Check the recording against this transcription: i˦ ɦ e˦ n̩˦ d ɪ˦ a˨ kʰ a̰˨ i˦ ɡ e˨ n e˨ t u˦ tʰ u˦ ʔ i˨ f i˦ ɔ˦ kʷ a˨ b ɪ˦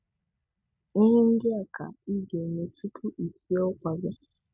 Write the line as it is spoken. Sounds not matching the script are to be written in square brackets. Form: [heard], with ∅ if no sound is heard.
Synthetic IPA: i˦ ɦ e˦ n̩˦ d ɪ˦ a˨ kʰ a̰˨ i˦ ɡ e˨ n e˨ t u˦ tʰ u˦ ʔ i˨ [s] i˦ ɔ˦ kʷ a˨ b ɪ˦